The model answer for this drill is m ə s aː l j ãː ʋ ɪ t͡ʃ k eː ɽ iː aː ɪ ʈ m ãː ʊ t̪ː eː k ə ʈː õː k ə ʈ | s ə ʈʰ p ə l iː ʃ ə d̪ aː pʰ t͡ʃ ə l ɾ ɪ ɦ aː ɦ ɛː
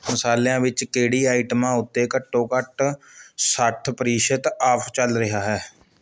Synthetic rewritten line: m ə s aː l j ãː ʋ ɪ t͡ʃ k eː ɽ iː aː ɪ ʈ m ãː ʊ t̪ː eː k ə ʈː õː k ə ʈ | s ə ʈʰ p ə ɾ iː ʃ ə t̪ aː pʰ t͡ʃ ə l ɾ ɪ ɦ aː ɦ ɛː